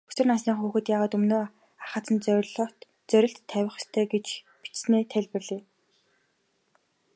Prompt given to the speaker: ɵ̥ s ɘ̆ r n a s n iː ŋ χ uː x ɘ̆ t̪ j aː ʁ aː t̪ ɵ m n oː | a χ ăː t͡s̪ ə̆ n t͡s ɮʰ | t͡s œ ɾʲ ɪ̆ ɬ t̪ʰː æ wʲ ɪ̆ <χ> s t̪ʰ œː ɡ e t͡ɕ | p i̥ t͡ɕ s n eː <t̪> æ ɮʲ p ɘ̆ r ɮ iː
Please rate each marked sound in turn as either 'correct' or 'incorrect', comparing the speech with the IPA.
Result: correct, incorrect: t̪ʰ

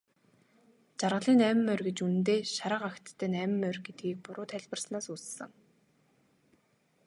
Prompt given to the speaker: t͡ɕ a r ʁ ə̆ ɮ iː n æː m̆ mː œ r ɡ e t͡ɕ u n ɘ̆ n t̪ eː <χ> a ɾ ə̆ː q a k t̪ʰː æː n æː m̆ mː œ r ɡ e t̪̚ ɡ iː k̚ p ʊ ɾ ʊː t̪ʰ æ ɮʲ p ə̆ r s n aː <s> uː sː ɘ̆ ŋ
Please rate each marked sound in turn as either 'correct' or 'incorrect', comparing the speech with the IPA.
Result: incorrect: ʃ, correct

